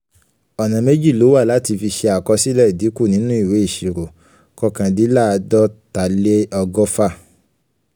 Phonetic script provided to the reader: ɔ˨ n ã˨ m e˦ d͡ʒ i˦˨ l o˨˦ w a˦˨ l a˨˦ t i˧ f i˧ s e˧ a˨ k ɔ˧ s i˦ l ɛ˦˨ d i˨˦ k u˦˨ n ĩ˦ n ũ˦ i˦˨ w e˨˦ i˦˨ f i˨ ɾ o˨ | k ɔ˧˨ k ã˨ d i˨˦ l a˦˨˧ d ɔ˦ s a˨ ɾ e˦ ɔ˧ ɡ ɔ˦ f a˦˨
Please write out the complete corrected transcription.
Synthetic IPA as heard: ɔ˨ n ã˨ m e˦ d͡ʒ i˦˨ l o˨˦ w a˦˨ l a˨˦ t i˧ f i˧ ʃ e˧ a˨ k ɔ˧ s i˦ l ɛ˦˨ d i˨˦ k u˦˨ n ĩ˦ n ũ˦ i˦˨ w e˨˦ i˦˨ ʃ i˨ ɾ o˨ | k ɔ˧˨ k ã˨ d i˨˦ l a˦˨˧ d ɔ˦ t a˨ l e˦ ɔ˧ ɡ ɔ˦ f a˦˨